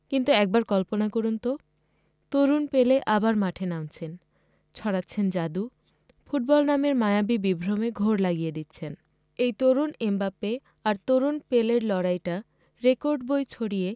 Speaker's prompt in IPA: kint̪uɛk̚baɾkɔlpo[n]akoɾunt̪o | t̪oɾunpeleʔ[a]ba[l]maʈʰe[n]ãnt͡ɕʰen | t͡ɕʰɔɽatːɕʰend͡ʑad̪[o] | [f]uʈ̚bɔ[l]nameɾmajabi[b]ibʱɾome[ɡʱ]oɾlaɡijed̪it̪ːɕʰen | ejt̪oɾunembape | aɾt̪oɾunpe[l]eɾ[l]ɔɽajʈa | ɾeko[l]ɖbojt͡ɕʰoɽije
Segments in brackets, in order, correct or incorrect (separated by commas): correct, correct, incorrect, correct, incorrect, correct, correct, correct, correct, correct, correct, incorrect